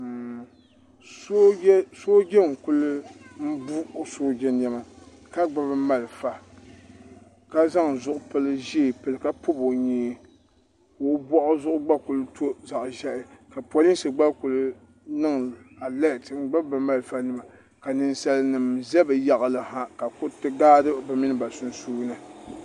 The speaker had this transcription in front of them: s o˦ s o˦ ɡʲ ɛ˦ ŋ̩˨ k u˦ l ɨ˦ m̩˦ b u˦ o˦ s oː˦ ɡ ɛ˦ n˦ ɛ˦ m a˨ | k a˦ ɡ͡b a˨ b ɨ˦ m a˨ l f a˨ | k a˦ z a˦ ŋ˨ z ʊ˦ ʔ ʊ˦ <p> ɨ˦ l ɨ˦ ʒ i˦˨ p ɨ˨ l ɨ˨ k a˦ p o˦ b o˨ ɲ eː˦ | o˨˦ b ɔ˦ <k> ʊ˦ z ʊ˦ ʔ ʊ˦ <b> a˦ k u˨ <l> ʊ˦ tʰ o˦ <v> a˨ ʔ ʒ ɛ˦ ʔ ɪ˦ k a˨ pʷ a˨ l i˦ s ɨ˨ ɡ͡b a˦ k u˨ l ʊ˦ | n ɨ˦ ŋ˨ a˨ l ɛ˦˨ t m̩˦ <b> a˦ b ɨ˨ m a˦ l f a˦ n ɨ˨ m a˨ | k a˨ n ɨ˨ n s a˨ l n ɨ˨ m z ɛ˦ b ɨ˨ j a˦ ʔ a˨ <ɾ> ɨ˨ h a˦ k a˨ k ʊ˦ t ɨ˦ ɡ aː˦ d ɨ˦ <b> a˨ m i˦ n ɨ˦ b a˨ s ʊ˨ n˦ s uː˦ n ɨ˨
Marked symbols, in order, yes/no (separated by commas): yes, no, no, yes, no, no, no, yes